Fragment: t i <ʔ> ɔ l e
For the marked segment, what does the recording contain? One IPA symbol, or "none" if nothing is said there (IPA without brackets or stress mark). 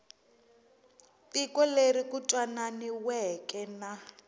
k